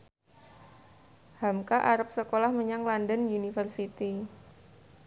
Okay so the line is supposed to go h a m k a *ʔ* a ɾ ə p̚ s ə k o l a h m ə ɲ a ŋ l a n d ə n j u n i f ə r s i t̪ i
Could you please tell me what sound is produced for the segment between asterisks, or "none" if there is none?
ʔ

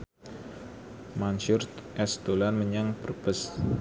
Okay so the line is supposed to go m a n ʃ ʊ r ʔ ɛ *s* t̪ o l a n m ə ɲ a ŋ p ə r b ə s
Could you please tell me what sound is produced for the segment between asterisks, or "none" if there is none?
s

